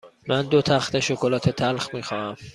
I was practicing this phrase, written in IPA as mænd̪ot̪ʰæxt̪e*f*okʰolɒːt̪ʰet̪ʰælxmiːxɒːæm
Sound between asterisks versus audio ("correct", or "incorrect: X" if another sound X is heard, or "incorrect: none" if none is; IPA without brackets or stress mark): incorrect: ʃ